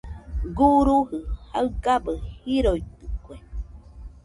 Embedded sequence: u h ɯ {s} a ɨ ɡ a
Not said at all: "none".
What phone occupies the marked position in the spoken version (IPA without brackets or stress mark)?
h